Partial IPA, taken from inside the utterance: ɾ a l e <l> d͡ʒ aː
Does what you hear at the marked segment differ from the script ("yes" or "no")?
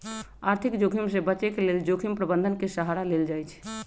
no